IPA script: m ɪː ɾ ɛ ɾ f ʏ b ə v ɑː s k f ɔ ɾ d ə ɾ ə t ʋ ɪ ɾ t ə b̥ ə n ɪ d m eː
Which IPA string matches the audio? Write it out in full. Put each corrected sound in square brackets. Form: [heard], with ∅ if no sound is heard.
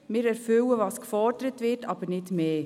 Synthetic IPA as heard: m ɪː ɾ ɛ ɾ f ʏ [w] ə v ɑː s k f ɔ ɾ d ə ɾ ə t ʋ ɪ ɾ t [ɑ] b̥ ə n ɪ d m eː